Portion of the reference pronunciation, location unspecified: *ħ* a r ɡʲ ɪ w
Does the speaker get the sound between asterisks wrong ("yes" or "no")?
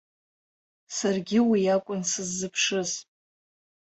yes